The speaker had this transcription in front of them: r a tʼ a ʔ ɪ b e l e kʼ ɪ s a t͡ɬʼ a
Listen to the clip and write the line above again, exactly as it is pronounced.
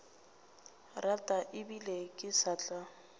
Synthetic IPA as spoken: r a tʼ a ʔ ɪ b i l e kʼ ɪ s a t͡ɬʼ a